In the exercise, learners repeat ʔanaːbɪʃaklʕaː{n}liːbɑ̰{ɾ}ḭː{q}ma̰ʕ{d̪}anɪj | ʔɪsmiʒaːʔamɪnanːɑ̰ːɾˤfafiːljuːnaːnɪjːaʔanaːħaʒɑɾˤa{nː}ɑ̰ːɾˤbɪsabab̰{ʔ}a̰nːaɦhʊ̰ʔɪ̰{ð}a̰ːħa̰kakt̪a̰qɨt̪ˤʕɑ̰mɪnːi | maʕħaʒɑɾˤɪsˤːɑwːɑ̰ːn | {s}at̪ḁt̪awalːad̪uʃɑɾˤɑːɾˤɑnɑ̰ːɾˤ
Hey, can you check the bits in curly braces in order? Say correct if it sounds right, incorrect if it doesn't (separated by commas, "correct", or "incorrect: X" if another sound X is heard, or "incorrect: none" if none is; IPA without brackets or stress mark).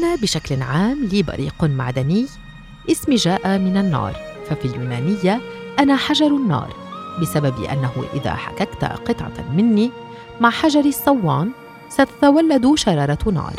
incorrect: m, correct, correct, correct, correct, correct, correct, correct